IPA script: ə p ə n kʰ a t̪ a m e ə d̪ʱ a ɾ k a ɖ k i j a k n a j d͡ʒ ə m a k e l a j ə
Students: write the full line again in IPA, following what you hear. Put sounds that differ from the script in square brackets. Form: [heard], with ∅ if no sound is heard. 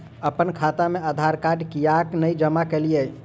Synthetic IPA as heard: ə p ə n kʰ a t̪ a m e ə d̪ʱ a ɾ k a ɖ k i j a k n [ə] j d͡ʒ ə m a k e l [i] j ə